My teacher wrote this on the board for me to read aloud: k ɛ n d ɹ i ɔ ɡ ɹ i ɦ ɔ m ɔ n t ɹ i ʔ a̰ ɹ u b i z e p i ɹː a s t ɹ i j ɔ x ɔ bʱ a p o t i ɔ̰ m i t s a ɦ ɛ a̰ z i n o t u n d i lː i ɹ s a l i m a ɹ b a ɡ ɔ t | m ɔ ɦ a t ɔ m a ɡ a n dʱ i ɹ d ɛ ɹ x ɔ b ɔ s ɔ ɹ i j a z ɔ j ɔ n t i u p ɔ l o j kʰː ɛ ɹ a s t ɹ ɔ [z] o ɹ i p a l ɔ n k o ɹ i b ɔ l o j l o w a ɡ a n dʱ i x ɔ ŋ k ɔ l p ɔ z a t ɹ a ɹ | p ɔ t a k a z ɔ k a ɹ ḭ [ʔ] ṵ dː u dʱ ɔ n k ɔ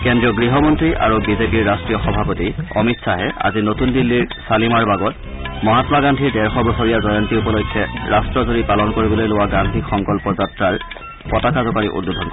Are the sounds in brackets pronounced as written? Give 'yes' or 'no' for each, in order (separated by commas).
yes, yes